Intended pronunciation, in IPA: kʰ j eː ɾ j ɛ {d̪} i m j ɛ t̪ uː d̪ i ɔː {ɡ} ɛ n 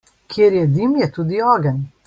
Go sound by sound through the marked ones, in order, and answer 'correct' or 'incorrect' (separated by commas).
correct, correct